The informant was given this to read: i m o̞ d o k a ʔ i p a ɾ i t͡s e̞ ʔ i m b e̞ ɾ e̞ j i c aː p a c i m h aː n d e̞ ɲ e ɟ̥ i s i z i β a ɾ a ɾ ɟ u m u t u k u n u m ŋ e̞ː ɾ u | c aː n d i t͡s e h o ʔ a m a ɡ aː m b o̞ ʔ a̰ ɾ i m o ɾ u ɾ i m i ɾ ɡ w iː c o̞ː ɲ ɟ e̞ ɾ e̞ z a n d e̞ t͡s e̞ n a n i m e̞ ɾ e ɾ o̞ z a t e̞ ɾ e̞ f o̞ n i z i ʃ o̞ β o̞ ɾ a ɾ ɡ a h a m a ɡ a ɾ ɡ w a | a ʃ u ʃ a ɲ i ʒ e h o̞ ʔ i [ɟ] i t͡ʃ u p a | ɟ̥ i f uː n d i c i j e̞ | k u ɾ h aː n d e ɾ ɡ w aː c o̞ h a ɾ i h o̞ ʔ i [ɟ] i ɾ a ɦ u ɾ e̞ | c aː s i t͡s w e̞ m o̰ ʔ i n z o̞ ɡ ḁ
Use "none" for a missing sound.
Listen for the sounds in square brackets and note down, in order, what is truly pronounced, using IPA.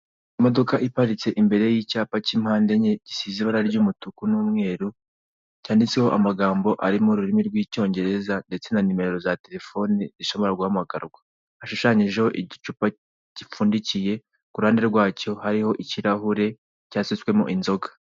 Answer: ɟ, c

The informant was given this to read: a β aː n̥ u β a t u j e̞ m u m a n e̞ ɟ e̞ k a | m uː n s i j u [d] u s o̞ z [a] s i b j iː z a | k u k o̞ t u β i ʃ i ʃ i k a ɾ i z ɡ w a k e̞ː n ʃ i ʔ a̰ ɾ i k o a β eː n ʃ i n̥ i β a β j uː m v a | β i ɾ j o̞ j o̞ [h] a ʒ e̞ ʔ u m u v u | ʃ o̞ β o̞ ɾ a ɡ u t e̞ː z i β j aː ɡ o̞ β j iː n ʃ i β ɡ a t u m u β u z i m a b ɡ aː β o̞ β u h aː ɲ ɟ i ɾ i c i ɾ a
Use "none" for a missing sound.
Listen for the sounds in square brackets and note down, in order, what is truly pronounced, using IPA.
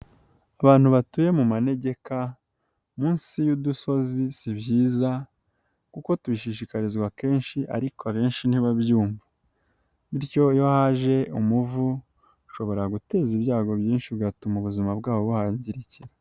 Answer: d, i, h

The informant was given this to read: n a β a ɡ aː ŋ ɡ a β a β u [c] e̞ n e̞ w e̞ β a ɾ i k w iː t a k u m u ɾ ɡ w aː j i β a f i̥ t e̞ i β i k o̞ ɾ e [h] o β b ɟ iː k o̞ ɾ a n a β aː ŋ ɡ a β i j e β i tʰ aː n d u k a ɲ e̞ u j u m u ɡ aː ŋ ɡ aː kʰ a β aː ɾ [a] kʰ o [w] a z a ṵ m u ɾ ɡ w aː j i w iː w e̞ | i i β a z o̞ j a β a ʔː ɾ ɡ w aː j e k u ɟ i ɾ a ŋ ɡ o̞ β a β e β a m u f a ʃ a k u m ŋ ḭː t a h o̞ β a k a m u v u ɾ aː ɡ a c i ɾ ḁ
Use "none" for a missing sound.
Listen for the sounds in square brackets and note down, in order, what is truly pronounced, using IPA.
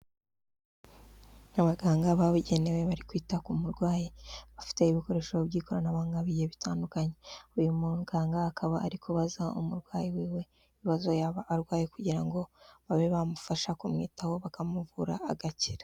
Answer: ɟ, ʃ, i, β

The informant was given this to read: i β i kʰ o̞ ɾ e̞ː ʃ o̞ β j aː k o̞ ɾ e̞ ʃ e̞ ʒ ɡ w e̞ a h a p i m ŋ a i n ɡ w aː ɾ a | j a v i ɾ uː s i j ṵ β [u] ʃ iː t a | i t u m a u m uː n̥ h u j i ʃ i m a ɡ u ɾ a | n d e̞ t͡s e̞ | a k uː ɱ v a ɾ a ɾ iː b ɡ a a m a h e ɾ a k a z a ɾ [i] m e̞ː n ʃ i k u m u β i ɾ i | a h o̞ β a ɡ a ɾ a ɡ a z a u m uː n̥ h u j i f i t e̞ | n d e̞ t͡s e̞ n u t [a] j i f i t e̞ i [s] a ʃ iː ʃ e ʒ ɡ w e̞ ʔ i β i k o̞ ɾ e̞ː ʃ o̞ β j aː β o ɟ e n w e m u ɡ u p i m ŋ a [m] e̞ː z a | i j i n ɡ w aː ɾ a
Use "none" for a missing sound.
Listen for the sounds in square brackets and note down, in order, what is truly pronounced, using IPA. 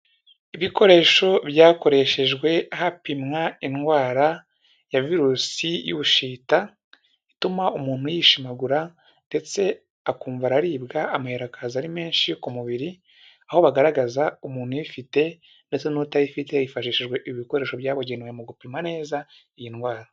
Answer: u, i, a, f, n

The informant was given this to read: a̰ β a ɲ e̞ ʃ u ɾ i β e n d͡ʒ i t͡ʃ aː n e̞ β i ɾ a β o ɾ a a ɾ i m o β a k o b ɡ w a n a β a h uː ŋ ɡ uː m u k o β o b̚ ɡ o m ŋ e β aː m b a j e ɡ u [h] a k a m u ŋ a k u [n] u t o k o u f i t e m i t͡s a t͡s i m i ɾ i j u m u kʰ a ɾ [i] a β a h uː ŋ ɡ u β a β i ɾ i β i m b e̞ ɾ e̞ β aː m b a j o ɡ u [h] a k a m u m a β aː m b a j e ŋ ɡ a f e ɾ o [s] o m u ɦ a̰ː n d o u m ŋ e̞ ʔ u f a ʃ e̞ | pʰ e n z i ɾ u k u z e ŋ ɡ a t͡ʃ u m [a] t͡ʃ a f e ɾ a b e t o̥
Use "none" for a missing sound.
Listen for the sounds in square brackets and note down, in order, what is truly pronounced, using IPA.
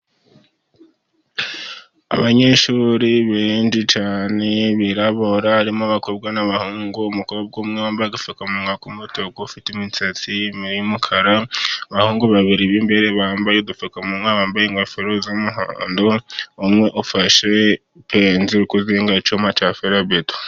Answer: f, m, a, f, z, a

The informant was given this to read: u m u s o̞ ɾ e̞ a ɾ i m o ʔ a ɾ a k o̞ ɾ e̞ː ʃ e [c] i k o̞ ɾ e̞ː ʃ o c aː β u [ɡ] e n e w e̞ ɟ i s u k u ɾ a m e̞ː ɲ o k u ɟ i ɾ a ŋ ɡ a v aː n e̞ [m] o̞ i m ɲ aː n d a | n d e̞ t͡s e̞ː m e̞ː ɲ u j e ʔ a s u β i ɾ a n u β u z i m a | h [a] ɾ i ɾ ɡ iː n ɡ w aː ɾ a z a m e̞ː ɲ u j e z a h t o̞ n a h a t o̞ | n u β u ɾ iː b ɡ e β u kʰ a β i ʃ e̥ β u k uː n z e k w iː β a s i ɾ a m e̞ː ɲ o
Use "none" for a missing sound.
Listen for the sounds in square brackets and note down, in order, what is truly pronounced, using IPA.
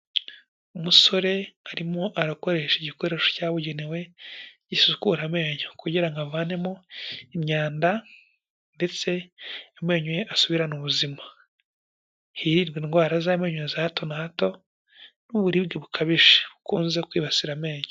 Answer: ɟ, ɟ, m, i

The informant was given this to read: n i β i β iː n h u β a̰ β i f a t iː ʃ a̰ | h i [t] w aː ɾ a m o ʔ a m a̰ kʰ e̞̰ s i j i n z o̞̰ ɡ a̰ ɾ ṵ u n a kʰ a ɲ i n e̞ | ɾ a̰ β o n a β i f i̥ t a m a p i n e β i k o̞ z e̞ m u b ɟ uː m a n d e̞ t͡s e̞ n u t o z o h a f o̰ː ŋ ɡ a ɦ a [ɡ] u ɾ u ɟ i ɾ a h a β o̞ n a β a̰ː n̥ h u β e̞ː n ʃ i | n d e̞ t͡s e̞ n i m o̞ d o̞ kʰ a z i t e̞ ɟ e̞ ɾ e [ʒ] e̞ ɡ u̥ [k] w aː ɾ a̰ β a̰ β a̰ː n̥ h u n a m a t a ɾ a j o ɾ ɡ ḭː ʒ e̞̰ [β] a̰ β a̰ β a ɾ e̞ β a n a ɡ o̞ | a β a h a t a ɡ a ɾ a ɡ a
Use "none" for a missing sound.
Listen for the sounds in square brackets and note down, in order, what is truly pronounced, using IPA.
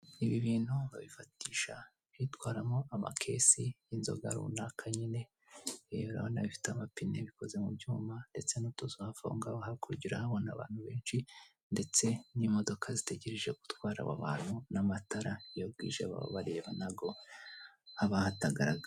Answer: t, k, ʒ, t, β

